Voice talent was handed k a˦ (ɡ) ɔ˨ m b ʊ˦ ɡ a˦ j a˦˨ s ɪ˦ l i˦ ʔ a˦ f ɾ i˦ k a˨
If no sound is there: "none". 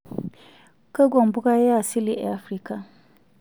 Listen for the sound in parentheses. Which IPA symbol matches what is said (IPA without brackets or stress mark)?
ɡ